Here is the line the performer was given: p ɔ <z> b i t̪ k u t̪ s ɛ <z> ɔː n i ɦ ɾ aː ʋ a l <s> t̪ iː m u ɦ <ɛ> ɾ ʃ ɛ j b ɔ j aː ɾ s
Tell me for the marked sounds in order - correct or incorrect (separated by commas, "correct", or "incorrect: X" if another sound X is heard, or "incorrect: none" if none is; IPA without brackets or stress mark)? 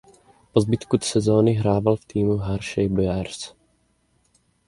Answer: correct, correct, incorrect: f, incorrect: a